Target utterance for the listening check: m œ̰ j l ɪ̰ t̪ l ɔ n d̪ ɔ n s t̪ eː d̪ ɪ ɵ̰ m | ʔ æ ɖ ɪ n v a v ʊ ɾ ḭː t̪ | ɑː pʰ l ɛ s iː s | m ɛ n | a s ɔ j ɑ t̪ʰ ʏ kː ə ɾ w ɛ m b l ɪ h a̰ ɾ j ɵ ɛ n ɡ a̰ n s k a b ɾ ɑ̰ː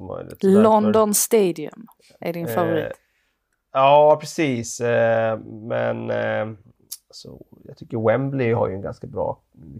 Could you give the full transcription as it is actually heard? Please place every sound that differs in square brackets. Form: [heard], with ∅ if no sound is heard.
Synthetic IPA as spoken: m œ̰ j l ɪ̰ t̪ l ɔ n d̪ ɔ n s t̪ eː d̪ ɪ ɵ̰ m | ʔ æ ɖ ɪ n [f] a v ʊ ɾ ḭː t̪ | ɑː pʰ [ɾ] ɛ s iː s | m ɛ n | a s ɔ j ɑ t̪ʰ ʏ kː ə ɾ w ɛ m b l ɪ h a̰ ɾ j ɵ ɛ n ɡ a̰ n s k a b ɾ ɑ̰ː